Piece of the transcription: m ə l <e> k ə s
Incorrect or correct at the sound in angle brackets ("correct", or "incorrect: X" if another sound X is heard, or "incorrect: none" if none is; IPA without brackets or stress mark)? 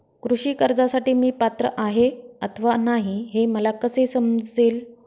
incorrect: a